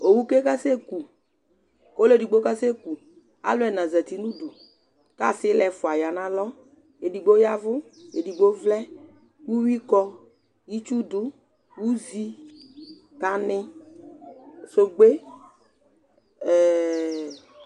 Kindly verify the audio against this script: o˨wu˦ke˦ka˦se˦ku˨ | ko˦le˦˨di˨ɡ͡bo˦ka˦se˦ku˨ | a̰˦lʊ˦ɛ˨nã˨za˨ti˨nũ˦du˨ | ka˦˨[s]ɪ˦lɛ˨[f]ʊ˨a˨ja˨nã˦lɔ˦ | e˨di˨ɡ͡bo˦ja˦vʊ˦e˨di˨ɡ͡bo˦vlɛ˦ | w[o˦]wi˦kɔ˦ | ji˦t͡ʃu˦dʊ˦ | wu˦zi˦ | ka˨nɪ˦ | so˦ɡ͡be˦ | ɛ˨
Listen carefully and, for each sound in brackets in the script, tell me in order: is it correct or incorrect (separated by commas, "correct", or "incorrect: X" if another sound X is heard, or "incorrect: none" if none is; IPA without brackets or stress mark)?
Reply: correct, correct, incorrect: u˦